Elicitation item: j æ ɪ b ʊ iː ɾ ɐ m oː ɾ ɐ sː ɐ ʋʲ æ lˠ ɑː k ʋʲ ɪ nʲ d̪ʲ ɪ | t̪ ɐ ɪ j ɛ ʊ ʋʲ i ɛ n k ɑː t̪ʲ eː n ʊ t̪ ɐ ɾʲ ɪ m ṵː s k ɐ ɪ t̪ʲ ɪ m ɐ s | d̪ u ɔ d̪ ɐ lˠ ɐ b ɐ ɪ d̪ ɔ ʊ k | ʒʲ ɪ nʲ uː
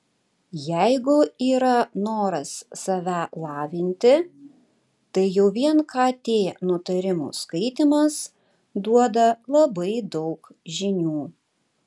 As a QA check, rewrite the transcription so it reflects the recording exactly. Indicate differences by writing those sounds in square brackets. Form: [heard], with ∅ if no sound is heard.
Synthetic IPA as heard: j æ ɪ [ɡ] ʊ iː ɾ ɐ [n] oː ɾ ɐ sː ɐ ʋʲ æ lˠ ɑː [∅] ʋʲ ɪ nʲ [t̪ʲ] ɪ | t̪ ɐ ɪ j ɛ ʊ ʋʲ i ɛ n k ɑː t̪ʲ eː n ʊ t̪ ɐ ɾʲ ɪ m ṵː s k ɐ ɪ t̪ʲ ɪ m ɐ s | d̪ u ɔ d̪ ɐ lˠ ɐ b ɐ ɪ d̪ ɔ ʊ k | ʒʲ ɪ nʲ uː